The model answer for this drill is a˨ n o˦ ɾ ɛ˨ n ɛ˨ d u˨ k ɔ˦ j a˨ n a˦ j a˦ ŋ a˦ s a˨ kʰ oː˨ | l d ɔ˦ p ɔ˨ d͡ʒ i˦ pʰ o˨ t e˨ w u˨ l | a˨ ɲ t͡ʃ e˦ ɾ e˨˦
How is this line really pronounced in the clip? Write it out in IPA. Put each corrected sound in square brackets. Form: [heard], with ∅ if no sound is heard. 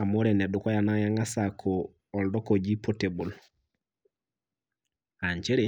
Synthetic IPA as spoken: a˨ [m] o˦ ɾ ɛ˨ n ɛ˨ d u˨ k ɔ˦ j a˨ n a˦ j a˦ ŋ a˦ s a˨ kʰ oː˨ | l d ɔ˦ [k] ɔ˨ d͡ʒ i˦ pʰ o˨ t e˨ [b] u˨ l | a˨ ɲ t͡ʃ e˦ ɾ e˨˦